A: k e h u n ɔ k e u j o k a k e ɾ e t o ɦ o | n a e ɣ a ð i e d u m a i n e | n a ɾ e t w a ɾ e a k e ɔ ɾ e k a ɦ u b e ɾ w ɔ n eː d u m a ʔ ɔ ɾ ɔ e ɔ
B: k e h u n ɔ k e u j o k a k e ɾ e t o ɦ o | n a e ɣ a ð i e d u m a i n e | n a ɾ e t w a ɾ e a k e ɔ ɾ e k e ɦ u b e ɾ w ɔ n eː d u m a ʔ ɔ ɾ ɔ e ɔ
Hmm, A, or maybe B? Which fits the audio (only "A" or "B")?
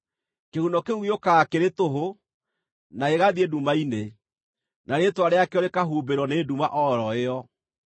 A